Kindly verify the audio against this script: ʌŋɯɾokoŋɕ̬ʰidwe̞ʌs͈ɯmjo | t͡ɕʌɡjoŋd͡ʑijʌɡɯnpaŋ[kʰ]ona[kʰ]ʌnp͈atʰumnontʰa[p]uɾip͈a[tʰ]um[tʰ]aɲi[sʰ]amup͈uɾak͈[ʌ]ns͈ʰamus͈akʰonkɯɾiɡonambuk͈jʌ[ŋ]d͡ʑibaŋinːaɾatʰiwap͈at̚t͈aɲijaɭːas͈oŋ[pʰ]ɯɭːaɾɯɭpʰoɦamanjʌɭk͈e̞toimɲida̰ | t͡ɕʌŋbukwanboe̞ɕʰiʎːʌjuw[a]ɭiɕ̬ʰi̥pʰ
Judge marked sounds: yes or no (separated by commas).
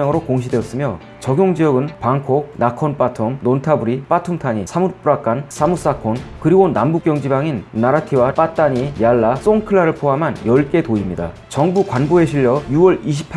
yes, yes, no, yes, yes, yes, no, yes, no, no